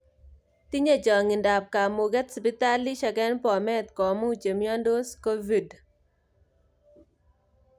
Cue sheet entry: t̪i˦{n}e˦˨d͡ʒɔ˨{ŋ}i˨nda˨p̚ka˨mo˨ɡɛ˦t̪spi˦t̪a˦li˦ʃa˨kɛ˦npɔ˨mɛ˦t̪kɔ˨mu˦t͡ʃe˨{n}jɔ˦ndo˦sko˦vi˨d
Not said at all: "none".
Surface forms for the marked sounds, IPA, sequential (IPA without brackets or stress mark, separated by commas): ɲ, ŋ, m